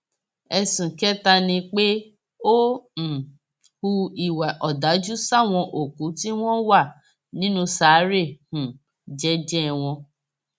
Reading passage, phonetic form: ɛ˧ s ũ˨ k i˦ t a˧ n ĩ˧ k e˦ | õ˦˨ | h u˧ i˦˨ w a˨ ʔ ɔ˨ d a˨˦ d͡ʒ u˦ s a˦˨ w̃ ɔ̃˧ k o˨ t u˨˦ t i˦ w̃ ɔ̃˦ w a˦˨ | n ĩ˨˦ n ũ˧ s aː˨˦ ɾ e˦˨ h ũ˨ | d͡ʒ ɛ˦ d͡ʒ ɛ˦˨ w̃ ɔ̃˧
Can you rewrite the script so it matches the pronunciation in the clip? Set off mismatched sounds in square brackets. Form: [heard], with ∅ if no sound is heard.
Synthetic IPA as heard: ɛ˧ s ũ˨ k [ɛ˦] t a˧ n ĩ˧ [k͡p] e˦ | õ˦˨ | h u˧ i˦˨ w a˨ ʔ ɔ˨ d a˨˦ d͡ʒ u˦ s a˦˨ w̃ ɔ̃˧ [ʔ] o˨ [k] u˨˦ t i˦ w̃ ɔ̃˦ w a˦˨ | n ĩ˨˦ n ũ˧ s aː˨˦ ɾ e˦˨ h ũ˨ | d͡ʒ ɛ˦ d͡ʒ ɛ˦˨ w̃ ɔ̃˧